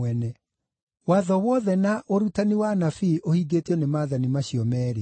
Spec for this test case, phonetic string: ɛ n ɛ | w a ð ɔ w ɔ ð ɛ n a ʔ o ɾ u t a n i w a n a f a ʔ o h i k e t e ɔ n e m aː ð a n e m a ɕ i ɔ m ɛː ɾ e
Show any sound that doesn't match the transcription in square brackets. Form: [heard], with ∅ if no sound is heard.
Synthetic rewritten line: ɛ n ɛ | w a ð ɔ w ɔ ð ɛ n a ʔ o ɾ u t a n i w a n a f [i] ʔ o h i [ɡ] e t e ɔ n e m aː ð a n [i] m a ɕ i ɔ m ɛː ɾ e